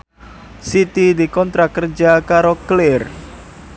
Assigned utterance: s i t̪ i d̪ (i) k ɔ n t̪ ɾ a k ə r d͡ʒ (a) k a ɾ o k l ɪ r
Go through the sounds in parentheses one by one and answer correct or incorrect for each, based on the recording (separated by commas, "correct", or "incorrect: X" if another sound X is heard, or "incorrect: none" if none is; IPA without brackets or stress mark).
correct, correct